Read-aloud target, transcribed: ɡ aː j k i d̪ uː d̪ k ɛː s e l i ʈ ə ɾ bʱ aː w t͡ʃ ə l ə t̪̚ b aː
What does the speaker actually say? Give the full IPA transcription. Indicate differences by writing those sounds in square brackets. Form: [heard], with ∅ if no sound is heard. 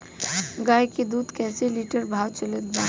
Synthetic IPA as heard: ɡ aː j k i d̪ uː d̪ k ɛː s e l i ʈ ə ɾ bʱ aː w t͡ʃ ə l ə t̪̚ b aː